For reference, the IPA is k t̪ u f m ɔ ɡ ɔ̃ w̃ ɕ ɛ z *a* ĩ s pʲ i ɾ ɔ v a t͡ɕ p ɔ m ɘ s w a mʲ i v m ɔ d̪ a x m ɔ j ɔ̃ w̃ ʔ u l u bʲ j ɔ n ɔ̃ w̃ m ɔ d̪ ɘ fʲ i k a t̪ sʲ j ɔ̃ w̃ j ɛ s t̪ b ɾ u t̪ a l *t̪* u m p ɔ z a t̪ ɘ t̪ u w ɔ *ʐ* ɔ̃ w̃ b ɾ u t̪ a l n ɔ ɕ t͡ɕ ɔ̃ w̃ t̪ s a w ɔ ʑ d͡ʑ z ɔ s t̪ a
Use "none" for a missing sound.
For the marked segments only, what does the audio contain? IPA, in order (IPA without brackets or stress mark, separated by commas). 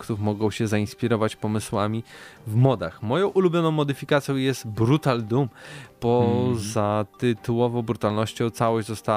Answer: a, d̪, v